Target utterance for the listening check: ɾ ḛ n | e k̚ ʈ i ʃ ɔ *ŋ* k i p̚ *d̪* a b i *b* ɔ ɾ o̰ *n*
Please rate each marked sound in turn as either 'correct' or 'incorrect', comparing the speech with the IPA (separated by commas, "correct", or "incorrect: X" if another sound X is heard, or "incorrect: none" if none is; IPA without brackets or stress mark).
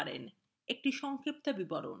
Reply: correct, incorrect: t̪, correct, correct